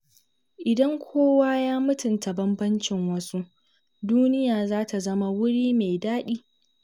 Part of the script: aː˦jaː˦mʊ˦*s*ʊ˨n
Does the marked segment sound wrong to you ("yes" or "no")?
yes